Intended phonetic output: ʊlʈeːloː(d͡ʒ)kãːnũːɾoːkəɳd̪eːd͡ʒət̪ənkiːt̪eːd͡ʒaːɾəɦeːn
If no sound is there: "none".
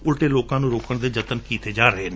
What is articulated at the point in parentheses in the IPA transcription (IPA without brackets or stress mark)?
none